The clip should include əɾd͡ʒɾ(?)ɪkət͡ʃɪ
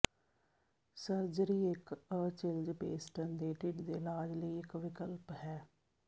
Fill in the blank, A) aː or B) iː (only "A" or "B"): B